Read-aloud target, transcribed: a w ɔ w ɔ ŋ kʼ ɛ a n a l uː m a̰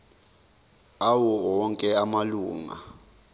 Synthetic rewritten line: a w ɔ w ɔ ŋ kʼ ɛ a m a l uː ŋ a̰